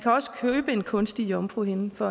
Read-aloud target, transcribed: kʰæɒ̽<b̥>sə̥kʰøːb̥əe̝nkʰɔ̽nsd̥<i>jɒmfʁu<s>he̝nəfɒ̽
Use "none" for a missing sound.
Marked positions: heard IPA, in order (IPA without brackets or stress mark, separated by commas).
none, i, none